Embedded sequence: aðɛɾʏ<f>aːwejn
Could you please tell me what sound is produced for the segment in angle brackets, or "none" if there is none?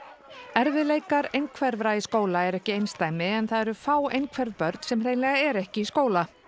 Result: f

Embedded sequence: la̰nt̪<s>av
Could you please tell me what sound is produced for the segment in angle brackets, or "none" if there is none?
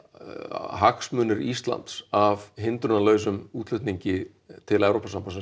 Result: s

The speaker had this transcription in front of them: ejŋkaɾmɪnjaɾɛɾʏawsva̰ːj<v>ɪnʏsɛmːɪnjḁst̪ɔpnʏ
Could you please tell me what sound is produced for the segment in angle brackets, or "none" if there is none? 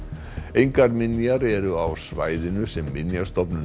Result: ð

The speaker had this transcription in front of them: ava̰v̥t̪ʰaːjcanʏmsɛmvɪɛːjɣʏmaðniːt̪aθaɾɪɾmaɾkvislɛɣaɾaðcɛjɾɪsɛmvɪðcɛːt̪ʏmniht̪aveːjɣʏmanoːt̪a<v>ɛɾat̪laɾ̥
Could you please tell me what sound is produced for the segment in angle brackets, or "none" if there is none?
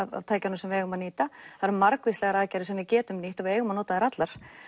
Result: ð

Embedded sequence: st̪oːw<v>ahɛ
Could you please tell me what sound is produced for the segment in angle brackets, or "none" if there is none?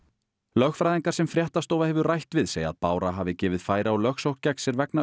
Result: v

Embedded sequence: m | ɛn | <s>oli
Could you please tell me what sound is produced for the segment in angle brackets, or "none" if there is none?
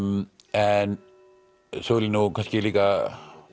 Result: s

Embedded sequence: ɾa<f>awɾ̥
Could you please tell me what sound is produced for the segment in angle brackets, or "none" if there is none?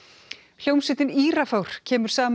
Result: f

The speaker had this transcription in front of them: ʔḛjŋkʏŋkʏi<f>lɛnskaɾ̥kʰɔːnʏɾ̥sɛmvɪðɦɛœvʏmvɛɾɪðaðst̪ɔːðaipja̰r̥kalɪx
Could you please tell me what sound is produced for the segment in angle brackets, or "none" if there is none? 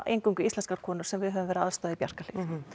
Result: s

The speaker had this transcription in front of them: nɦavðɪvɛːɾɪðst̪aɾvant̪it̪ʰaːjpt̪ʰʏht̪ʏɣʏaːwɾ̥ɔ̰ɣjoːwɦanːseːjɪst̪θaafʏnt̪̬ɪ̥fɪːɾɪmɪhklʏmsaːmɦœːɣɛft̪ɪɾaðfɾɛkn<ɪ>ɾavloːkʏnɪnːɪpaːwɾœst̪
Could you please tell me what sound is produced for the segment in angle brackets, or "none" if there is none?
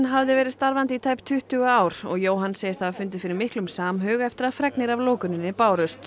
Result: ɪ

